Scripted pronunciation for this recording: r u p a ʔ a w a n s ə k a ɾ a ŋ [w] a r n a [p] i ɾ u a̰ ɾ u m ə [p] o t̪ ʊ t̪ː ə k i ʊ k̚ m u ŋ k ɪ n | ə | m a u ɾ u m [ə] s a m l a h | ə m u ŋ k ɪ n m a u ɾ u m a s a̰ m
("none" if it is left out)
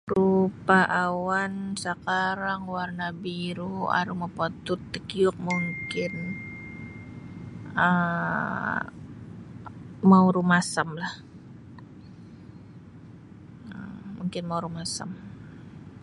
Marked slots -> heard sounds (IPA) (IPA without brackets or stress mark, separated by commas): w, b, p, a